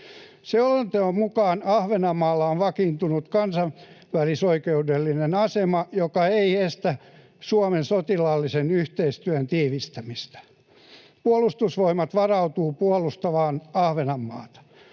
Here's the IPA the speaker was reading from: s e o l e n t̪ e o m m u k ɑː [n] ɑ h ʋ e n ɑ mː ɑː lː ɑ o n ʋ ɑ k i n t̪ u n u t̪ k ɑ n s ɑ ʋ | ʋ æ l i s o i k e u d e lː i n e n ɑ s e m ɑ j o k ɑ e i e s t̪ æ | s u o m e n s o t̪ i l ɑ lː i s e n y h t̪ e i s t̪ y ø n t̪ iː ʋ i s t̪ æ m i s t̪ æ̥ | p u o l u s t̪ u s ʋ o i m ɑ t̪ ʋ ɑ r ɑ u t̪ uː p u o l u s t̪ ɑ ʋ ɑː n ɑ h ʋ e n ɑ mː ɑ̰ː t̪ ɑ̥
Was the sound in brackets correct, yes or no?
yes